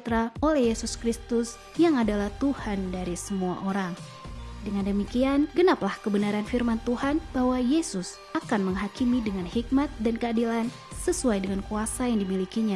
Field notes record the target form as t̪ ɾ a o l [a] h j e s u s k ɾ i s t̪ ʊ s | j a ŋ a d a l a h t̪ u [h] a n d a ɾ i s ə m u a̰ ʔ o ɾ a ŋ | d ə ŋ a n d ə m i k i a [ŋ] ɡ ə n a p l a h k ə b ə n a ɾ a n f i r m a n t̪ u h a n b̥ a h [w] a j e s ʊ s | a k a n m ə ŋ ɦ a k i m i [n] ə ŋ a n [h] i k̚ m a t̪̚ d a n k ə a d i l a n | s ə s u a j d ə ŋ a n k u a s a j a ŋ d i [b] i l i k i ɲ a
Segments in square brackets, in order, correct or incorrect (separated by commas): incorrect, correct, incorrect, correct, incorrect, correct, incorrect